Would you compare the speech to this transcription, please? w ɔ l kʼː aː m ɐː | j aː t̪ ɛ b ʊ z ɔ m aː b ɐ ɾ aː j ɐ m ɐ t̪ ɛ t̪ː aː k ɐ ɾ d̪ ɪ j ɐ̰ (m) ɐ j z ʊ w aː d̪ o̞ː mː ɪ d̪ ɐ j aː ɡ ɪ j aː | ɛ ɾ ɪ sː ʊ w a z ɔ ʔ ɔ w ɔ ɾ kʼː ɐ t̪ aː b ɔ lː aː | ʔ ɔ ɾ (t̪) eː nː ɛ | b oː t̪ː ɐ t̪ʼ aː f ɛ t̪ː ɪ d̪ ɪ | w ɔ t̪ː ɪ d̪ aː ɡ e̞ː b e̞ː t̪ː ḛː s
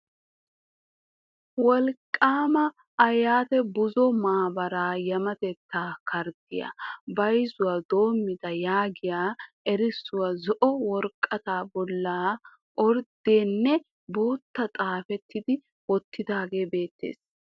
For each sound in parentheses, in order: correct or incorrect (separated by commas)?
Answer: incorrect, incorrect